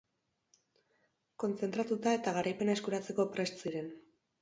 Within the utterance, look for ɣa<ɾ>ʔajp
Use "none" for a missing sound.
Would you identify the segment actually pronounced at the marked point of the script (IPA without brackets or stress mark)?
ɾ